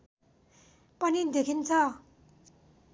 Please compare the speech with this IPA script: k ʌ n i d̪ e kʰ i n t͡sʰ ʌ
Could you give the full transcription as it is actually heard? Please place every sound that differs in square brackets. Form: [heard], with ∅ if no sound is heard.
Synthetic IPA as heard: [p] ʌ n i d̪ e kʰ i n t͡sʰ ʌ

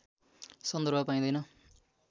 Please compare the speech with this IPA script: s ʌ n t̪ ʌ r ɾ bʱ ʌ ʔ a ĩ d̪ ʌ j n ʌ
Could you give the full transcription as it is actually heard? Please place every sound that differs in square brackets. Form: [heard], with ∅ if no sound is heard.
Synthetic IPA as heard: s ʌ n [d̪] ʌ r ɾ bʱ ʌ [p] a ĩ d̪ ʌ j n ʌ

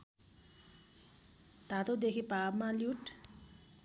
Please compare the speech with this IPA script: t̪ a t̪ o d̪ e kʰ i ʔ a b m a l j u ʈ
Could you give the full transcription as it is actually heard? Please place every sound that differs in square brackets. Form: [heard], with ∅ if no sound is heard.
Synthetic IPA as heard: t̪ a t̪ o d̪ e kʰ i [p] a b m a l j u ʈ

